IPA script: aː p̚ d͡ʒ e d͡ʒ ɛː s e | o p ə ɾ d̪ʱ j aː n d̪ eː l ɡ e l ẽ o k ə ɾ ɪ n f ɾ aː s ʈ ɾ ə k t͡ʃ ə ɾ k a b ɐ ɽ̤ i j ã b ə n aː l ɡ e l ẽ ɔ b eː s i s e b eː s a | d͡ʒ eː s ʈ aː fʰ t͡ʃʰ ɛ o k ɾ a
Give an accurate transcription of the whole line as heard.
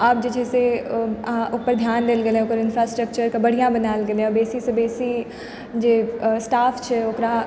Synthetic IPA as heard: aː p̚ d͡ʒ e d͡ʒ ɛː s e | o p ə ɾ d̪ʱ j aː n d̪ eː l ɡ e l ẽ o k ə ɾ ɪ n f ɾ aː s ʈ ɾ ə k t͡ʃ ə ɾ k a b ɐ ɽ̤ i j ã b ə n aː l ɡ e l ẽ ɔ b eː s i s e b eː s i | d͡ʒ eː s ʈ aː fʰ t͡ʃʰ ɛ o k ɾ a

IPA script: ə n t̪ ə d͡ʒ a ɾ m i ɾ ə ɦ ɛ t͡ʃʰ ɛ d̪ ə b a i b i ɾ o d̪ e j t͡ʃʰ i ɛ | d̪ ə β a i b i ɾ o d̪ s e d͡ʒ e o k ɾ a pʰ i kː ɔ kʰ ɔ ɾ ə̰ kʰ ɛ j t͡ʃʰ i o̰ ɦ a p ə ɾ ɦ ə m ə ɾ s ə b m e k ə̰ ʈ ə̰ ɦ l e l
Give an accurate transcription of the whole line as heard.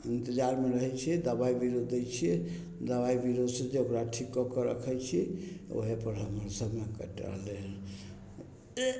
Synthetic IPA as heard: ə n t̪ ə d͡ʒ a ɾ m e ɾ ə ɦ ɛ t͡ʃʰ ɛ d̪ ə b a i b i ɾ o d̪ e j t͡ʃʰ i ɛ | d̪ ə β a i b i ɾ o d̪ s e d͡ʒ e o k ɾ a ʈʰ i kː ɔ k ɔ ɾ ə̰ kʰ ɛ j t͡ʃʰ i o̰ ɦ e p ə ɾ ɦ ə m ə ɾ s ə b m e k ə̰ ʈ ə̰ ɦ l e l

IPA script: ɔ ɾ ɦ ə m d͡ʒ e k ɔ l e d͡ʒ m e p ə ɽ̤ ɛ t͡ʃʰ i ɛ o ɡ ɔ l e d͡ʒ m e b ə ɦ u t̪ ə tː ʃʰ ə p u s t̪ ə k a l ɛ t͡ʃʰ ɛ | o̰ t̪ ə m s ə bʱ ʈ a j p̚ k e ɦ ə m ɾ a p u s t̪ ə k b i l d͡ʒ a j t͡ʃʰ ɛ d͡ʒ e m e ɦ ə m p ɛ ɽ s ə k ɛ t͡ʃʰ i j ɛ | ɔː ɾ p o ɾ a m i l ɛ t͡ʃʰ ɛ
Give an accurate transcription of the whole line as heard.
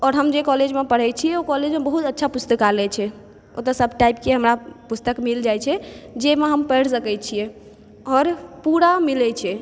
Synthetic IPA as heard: ɔ ɾ ɦ ə m d͡ʒ e k ɔ l e d͡ʒ m e p ə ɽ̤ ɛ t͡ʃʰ i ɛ o k ɔ l e d͡ʒ m e b ə ɦ u t̪ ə tː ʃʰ a p u s t̪ ə k a l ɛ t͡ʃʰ ɛ | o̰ t̪ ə s ə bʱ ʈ a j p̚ k e ɦ ə m ɾ a p u s t̪ ə k m i l d͡ʒ a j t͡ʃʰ ɛ d͡ʒ e m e ɦ ə m p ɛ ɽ s ə k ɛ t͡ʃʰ i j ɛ | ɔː ɾ p u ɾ a m i l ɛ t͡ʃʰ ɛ

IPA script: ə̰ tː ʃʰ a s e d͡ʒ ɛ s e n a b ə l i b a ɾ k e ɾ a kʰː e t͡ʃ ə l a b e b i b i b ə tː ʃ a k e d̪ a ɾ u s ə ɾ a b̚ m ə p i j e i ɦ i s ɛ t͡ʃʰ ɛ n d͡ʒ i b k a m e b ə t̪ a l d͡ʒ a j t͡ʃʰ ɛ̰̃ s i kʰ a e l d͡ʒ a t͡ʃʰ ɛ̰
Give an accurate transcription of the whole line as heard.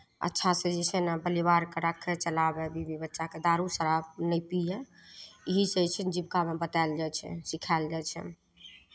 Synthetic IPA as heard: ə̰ tː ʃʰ a s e d͡ʒ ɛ s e n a b ə l i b a ɾ k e ɾ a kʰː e t͡ʃ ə l a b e b i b i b ə tː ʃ a k e d̪ a ɾ u s ə ɾ a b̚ n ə p i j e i ɦ i s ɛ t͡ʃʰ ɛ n d͡ʒ i b k a m e b ə t̪ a l d͡ʒ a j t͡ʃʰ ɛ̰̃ s i kʰ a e l d͡ʒ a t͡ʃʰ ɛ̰

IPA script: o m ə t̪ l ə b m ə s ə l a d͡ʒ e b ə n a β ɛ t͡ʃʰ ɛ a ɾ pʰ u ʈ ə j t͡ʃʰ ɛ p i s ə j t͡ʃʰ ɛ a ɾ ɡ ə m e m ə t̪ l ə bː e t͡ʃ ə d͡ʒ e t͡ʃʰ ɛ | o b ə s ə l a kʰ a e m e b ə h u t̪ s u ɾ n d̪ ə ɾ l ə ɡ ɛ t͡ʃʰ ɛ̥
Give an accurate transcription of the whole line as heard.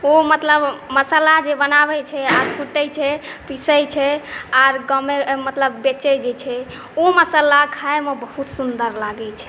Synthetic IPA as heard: o m ə t̪ l ə b m ə s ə l a d͡ʒ e b ə n a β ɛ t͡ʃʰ ɛ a ɾ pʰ u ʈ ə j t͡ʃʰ ɛ p i s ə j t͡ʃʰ ɛ a ɾ ɡ ə m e m ə t̪ l ə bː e t͡ʃ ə d͡ʒ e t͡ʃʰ ɛ | o m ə s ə l a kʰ a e m e b ə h u t̪ s u n d̪ ə ɾ l a ɡ ɛ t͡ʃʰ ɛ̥

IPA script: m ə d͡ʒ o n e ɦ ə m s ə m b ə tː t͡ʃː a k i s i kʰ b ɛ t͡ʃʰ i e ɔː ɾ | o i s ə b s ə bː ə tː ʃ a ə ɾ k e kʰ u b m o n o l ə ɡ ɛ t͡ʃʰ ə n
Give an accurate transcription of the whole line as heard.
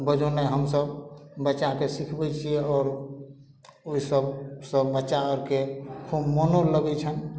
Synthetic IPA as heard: b ə d͡ʒ o n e ɦ ə m s ə b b ə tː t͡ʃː a k e s i kʰ b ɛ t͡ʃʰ i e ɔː ɾ | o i s ə b s ə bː ə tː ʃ a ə ɾ k e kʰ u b m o n o l ə ɡ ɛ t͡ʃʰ ə n

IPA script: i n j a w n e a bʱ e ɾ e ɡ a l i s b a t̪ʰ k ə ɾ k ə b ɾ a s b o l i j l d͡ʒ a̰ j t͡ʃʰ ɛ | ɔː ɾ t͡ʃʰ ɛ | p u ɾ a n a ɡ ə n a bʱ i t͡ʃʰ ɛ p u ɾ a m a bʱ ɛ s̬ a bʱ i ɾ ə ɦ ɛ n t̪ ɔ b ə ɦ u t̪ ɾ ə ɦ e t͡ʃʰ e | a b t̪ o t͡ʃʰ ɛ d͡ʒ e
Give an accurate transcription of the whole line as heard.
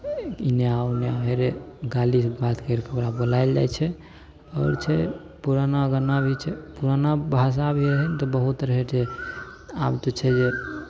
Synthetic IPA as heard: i n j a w n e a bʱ e ɾ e ɡ a l i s b a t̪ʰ k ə ɾ k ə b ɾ a b o l a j l d͡ʒ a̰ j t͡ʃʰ ɛ | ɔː ɾ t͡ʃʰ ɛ | p u ɾ a n a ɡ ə n a bʱ i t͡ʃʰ ɛ p u ɾ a n a bʱ a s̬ a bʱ i ɾ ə ɦ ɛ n t̪ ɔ b ə ɦ u t̪ ɾ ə ɦ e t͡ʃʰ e | a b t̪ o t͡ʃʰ ɛ d͡ʒ e

